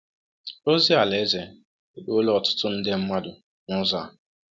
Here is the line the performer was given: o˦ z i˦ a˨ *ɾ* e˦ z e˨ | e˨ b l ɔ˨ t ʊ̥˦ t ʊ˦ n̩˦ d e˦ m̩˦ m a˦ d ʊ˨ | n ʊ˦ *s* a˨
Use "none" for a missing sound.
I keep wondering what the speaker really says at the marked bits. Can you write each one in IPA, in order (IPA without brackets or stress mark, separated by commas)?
l, z